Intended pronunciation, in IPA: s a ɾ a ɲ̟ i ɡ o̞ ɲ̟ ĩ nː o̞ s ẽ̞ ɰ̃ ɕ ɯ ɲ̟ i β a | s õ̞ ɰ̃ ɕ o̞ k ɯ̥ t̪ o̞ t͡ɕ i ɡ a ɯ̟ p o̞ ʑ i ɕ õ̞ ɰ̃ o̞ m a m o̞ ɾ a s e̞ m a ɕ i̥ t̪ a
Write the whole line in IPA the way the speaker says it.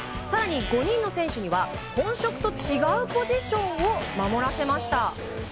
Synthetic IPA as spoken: s a ɾ a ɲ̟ i ɡ o̞ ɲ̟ ĩ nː o̞ s ẽ̞ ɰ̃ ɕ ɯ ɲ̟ i β a | h õ̞ ɰ̃ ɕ o̞ k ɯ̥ t̪ o̞ t͡ɕ i ɡ a ɯ̟ p o̞ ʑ i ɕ õ̞ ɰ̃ o̞ m a m o̞ ɾ a s e̞ m a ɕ i̥ t̪ a